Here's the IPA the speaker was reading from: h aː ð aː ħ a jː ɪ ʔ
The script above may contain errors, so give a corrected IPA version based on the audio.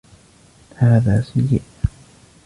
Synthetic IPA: h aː ð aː s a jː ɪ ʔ

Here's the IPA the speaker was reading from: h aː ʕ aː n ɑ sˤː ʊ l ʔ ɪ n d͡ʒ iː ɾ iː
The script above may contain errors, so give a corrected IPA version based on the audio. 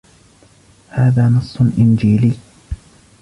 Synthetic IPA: h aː ð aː n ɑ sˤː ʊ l ʔ ɪ n d͡ʒ iː l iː

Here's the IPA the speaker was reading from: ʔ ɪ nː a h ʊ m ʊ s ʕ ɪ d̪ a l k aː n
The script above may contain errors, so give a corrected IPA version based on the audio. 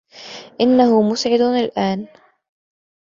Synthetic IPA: ʔ ɪ nː a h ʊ m ʊ s ʕ ɪ d̪ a l ʔ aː n

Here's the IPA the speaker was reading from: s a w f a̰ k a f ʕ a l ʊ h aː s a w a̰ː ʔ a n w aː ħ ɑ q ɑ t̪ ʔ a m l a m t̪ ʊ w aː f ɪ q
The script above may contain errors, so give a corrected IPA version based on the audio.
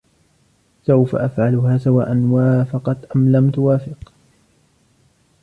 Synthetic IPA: s a w f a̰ ʔ a f ʕ a l ʊ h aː s a w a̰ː ʔ a n w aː f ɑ q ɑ t̪ ʔ a m l a m t̪ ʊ w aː f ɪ q

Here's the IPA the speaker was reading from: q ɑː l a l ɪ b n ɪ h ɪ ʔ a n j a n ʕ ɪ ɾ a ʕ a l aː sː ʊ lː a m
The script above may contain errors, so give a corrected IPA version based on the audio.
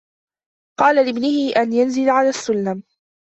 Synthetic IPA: q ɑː l a l ɪ b n ɪ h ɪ ʔ a n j a n z ɪ l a ʕ a l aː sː ʊ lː a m

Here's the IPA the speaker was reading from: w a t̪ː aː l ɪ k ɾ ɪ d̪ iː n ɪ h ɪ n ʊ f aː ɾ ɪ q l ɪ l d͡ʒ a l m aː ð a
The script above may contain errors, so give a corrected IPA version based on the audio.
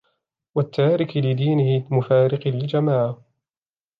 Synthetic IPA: w a t̪ː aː ɾ ɪ k l ɪ d̪ iː n ɪ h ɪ m ʊ f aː ɾ ɪ q l ɪ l d͡ʒ a m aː ʕ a

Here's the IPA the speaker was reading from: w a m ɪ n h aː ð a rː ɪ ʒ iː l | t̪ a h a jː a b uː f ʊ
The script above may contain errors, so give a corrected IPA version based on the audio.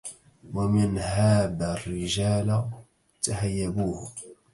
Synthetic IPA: w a m ɪ n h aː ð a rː ɪ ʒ aː l | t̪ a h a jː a b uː h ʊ

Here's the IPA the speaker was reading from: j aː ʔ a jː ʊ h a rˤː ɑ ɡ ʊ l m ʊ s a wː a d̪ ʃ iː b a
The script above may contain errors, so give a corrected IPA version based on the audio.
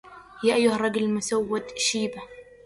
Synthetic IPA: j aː ʔ a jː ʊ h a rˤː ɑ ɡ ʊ l m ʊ s a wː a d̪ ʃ iː b a

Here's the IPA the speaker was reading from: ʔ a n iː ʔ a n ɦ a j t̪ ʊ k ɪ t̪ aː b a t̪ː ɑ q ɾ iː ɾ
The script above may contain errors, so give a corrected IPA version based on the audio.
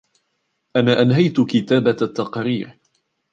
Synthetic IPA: ʔ a n aː ʔ a n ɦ a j t̪ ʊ k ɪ t̪ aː b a t̪ː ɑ q ɾ iː ɾ

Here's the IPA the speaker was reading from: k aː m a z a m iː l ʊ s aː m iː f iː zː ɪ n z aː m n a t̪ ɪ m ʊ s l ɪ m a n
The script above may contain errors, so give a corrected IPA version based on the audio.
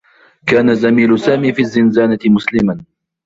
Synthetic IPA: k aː n a z a m iː l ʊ s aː m iː f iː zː ɪ n z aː n a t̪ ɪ m ʊ s l ɪ m a n

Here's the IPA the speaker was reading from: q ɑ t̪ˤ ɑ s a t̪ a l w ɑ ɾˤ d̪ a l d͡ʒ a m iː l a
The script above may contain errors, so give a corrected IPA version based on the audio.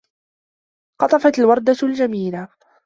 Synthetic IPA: q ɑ t̪ˤ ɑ f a t̪ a l w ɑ ɾˤ d̪ a l d͡ʒ a m iː l a

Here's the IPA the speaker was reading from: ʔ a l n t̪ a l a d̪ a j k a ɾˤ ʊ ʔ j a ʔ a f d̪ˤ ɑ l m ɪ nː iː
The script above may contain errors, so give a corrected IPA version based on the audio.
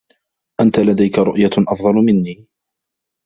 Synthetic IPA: ʔ a n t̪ a l a d̪ a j k a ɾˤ ʊ ʔ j a ʔ ɑ f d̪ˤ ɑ l m ɪ nː iː

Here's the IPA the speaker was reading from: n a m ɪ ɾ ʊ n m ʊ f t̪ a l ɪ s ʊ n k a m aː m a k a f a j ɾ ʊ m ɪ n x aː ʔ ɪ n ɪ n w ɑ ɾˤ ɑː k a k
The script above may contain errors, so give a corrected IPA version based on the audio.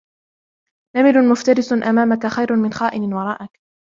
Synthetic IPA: n a m ɪ l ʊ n m ʊ f t̪ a ɾ ɪ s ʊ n ʔ a m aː m a k a x a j ɾ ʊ m ɪ n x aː ʔ ɪ n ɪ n w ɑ ɾˤ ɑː ʔ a k

